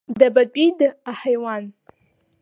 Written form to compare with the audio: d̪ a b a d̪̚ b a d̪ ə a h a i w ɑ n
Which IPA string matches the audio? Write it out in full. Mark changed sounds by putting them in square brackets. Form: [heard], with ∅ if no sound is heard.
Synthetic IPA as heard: d̪ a b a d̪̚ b [i] d̪ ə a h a [j] w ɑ n